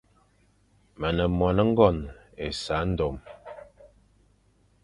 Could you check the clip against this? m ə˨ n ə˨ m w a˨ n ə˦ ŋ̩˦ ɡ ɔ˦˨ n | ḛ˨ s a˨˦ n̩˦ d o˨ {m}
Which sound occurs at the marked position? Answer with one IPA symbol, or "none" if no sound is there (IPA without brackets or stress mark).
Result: m